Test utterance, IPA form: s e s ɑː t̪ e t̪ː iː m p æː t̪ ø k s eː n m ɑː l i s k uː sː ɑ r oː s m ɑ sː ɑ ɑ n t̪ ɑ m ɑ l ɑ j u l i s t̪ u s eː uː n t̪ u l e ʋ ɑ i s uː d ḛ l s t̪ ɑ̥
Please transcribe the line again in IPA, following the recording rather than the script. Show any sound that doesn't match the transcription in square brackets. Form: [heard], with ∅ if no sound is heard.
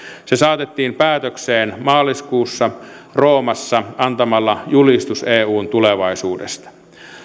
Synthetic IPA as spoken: s e s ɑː t̪ e t̪ː iː m p æː t̪ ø k s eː n m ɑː l i s k uː sː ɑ r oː [∅] m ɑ sː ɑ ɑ n t̪ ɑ m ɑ [lː] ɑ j u l i s t̪ u s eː uː n t̪ u l e ʋ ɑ i s uː d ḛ [∅] s t̪ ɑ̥